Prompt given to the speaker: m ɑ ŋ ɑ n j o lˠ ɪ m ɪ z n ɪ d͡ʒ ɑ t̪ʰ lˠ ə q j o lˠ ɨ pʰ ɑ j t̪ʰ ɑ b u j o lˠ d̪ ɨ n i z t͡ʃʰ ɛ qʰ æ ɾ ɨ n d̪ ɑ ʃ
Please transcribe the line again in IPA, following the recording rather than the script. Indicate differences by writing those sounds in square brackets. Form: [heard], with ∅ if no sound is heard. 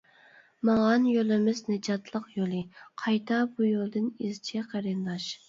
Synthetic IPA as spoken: m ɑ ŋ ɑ n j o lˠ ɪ m ɪ z n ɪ d͡ʒ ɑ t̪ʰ lˠ ə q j o lˠ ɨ [qʰ] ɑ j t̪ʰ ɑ b u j o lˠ d̪ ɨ n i z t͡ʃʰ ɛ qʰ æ ɾ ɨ n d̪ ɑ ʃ